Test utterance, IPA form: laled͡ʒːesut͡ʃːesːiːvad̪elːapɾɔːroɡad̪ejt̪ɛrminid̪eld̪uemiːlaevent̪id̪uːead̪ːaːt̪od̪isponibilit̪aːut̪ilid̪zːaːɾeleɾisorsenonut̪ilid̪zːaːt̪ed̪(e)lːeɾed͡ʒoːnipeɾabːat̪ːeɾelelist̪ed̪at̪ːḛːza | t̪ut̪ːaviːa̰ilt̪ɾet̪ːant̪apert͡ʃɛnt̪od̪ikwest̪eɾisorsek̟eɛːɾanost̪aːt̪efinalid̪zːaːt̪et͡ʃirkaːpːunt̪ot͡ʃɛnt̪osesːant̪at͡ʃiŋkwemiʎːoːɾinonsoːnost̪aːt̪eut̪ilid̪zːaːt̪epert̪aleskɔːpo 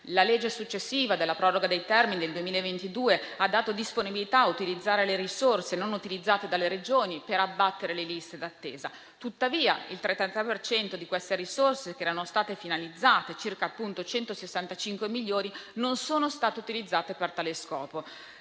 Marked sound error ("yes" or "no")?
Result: yes